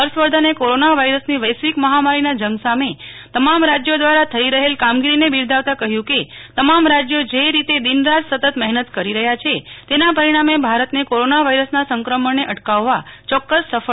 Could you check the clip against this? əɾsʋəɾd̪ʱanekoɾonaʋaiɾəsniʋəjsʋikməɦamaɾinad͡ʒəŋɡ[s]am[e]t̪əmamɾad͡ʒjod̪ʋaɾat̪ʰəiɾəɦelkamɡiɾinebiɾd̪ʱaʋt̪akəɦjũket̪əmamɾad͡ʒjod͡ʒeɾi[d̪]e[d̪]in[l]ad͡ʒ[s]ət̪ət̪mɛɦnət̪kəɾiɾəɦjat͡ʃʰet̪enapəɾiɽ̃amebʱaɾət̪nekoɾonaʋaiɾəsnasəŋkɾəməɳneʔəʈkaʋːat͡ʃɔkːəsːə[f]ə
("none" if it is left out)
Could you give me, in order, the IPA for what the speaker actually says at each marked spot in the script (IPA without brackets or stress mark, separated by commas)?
s, e, t̪, d̪, ɾ, s, f